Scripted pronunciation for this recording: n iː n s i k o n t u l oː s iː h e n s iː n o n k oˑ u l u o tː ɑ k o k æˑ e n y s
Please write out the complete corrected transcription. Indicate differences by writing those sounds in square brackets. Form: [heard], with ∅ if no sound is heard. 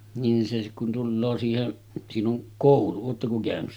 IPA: n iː n s [e] k [u] n t u [lː] oː s iː h e n s iː n o [ŋ] k oˑ u l u [oː] tː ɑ k o k æˑ [ø] n y s

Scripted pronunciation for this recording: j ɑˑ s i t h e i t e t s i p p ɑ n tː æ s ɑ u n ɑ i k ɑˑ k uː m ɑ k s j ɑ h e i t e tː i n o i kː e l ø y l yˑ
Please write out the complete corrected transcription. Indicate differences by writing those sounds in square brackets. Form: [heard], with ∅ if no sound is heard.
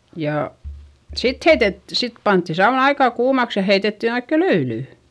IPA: j ɑˑ s i t h e i t e t s i [t] p ɑ n tː [i] s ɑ u n ɑ i k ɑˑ k uː m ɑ k s j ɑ h e i t e tː i n o i kː e l ø y l yˑ

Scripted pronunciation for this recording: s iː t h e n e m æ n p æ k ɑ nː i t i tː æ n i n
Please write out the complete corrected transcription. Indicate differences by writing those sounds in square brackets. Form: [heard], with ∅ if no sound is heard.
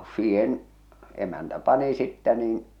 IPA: s iː [∅] h e n e m æ n [t] æ [p] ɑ [n] i [s] i tː æ n [iː] n

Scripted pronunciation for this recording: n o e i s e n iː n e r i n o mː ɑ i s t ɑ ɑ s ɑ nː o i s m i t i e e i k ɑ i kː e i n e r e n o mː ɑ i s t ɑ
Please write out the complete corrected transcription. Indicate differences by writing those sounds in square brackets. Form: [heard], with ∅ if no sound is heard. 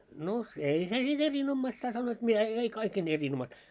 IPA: n o e i s e n iː n e r i n o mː ɑ i s t ɑ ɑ s ɑ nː o i [t] m i t [æ] e e i k ɑ i kː e i n e r [i] n o mː ɑ i s t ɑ

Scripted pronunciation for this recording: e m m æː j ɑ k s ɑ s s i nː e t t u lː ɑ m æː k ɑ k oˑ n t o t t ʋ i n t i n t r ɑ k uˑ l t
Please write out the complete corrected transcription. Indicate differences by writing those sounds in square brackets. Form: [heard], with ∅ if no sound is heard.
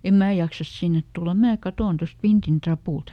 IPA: e m m æː j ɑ k s ɑ s s i nː e t t u lː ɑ m æː k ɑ [t] oˑ n t o [s] t ʋ i n t i n t r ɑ [p] uˑ l t

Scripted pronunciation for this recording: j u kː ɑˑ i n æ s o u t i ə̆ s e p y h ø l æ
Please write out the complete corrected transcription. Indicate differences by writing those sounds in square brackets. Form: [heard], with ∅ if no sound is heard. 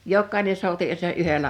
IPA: j [o] kː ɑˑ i n [e] s o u t i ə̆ s e [ʔ] y h [e] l æ

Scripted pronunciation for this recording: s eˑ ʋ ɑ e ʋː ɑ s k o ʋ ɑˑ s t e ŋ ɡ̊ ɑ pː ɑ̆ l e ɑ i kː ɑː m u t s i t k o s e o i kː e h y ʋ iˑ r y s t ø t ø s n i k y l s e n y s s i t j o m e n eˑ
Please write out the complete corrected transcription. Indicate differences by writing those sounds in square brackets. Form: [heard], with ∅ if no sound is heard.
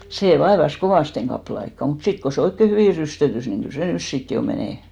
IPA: s eˑ ʋ ɑ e [ʋ] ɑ s k o ʋ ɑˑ s t e ŋ ɡ̊ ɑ pː ɑ̆ l e ɑ i kː [ɑ] m u t s i t k o s e o i kː e h y ʋ iˑ r y s t ø t [y] s n i k y l s e n y s s i t j o m e n eˑ

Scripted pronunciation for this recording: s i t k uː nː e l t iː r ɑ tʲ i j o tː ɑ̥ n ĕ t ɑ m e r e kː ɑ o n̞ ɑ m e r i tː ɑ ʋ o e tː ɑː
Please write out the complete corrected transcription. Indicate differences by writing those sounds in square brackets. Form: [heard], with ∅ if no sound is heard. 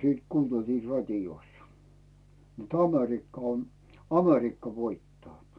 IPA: s [iː] t k uː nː e l t iː r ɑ tʲ i j o [sː] ɑ̥ n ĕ t ɑ m e r [i] kː ɑ o n̞ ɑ m e r i [kː] ɑ ʋ o [i] tː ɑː

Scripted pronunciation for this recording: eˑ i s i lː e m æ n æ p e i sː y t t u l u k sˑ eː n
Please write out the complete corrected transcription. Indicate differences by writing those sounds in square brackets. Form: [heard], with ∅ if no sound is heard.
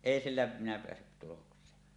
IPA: eˑ i s i lː [æ] m [i] n æ p e [æ] sː y t t u l [o] k sˑ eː n

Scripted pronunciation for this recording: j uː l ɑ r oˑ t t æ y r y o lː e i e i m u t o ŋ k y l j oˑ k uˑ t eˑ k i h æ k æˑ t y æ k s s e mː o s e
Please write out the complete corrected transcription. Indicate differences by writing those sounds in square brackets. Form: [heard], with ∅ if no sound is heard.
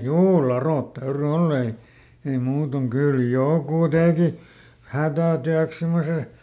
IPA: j uː l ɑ r oˑ t t æ y r y o lː e i e i m [uː] t o ŋ k y l j oˑ k uˑ t eˑ k i h æ [t] æˑ t y æ k s s e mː o s e

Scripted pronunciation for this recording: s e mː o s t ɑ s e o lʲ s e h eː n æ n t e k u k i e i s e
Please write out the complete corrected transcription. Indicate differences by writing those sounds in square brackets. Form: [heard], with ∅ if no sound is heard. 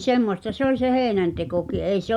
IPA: s e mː o s t ɑ s e o lʲ s e h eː n æ n t e k [o] k i e i s e

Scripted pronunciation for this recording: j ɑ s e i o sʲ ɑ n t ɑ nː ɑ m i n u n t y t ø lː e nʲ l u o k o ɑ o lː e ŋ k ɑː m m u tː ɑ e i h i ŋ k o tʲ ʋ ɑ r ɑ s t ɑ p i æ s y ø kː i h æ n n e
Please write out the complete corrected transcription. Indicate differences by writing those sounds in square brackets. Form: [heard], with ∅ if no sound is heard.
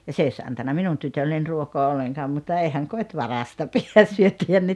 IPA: j ɑ s e i o sʲ ɑ n t ɑ nː ɑ m i n u n t y t ø lː e nʲ [r] u o k o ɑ o lː e ŋ k ɑː m m u tː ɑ e i h [æ] ŋ k o tʲ ʋ ɑ r ɑ s t ɑ p i æ s y ø [tː] i h æ n n e

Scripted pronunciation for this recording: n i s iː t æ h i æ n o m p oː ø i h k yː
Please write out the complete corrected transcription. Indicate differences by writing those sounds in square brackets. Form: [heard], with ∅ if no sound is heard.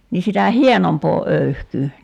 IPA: n i s [i] t æ h i [e] n o m p oː ø [y] h k yː

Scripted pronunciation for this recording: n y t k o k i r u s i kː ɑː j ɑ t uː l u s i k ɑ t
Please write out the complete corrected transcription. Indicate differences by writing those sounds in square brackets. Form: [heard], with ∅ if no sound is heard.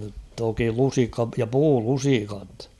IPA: n y t [t] o k i [l] u s i kː [ɑ] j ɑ [p] uː l u s i k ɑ t

